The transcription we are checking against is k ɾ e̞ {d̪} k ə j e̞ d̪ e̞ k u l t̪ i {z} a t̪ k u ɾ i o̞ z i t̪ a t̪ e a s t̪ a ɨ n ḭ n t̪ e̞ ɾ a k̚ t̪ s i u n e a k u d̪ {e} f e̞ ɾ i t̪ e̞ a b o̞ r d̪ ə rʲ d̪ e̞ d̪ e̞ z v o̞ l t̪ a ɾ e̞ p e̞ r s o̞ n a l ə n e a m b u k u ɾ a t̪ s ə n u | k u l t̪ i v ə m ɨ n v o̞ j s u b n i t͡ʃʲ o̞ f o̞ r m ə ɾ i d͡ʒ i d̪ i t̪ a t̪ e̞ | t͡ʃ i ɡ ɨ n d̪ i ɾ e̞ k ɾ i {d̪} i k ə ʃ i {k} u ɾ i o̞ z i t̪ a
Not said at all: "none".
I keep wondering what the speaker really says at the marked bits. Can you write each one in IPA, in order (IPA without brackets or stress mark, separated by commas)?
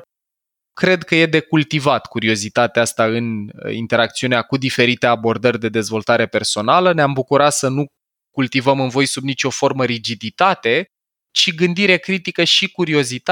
d̪, v, i, t̪, k